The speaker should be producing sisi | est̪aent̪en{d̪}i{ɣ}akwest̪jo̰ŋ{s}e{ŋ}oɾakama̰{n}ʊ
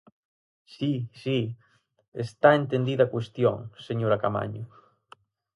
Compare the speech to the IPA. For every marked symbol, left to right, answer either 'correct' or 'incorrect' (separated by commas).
correct, incorrect, correct, incorrect, incorrect